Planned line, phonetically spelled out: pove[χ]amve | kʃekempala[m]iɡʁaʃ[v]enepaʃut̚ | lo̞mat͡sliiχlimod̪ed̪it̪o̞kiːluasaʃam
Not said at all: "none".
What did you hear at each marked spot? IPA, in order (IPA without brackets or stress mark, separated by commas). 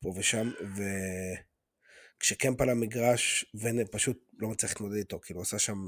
ʃ, m, v